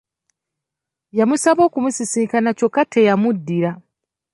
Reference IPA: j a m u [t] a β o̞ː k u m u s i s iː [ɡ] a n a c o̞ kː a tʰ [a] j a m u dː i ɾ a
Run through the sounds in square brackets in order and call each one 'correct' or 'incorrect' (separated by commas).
incorrect, incorrect, incorrect